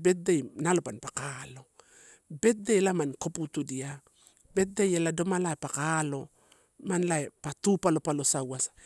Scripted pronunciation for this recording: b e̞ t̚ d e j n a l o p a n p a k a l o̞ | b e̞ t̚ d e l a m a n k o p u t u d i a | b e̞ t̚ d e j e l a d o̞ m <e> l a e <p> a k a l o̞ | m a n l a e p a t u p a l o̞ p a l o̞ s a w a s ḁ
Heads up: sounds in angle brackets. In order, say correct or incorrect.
incorrect: a, correct

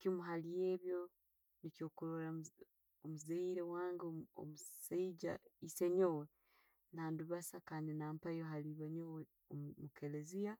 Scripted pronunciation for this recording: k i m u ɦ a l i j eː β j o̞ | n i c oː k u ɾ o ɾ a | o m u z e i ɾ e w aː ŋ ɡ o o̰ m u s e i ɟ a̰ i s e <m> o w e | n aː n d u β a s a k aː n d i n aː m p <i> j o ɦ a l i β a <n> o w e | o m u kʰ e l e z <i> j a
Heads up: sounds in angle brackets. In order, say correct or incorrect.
incorrect: ɲ, incorrect: a, incorrect: ɲ, correct

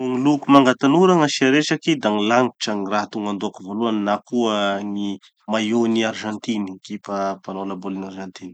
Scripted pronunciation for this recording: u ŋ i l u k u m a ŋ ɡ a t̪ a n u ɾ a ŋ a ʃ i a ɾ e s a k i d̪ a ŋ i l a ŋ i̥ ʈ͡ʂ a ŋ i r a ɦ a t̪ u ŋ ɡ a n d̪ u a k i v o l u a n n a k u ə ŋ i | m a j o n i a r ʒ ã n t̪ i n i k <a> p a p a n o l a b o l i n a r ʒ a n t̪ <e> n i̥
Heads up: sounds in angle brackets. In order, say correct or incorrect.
incorrect: i, incorrect: i

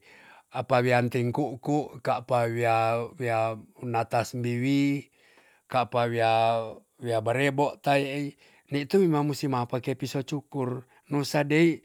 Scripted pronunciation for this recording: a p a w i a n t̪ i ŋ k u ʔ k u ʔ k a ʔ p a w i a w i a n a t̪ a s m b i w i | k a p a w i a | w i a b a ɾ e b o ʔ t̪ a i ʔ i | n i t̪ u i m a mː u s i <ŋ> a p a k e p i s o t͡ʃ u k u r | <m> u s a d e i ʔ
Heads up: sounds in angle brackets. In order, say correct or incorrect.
incorrect: m, incorrect: n

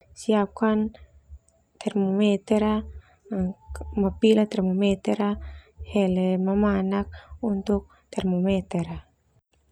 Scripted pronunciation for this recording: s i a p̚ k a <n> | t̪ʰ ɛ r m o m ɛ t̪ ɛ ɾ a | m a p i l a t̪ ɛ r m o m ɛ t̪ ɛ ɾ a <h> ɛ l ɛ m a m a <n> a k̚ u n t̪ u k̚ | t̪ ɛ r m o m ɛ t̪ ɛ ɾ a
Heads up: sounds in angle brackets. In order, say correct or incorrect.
correct, correct, correct

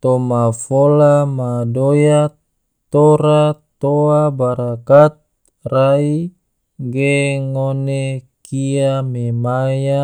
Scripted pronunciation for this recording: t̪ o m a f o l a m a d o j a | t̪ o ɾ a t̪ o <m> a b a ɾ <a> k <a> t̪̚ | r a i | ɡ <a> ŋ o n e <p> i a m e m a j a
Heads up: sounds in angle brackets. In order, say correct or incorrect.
incorrect: none, correct, correct, incorrect: e, incorrect: k

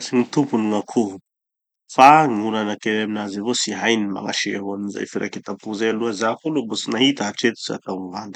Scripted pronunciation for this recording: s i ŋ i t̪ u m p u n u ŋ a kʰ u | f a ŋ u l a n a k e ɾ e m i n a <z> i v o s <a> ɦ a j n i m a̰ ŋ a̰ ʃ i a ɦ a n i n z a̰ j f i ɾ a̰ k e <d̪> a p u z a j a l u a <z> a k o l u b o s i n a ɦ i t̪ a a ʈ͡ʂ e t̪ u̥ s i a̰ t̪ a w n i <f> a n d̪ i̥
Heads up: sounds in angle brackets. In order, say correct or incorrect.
correct, incorrect: i, incorrect: t̪, correct, incorrect: v

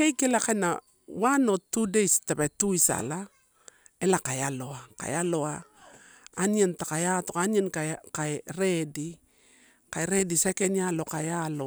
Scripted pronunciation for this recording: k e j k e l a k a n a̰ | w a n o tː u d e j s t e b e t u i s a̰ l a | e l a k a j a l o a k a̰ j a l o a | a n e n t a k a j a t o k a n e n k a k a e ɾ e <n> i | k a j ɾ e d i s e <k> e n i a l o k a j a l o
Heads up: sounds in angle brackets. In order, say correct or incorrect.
incorrect: d, correct

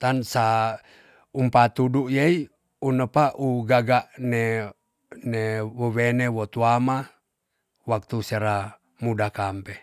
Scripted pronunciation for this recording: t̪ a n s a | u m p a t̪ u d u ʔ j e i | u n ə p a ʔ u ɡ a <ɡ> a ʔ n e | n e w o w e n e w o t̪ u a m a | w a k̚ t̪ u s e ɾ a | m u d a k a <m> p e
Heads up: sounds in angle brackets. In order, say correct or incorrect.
correct, correct

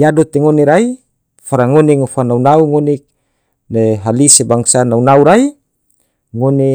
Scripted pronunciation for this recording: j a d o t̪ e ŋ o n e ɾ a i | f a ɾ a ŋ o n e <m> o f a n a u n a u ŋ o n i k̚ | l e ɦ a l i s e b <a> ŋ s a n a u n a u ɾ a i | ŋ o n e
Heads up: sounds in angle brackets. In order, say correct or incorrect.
incorrect: ŋ, correct

